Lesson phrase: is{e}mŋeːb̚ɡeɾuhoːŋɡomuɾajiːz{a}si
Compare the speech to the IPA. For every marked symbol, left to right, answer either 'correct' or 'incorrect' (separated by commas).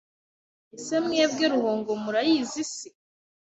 correct, incorrect